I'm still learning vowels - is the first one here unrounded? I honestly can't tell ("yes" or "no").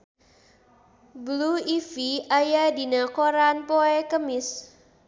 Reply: no